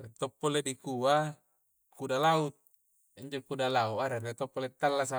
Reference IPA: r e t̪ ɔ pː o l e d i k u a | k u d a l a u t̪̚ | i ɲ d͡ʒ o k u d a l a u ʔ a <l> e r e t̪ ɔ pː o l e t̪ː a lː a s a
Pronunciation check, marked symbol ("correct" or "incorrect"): incorrect